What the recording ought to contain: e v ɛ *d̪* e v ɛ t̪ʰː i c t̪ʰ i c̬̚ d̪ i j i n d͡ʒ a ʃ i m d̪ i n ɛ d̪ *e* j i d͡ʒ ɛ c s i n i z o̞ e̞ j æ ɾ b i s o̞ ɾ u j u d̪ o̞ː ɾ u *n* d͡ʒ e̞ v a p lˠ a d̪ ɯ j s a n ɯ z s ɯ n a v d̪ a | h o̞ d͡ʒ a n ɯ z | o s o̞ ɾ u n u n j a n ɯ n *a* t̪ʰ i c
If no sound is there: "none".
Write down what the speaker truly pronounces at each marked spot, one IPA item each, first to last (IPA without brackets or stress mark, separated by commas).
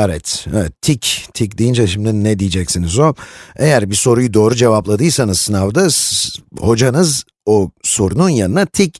t̪, i, none, a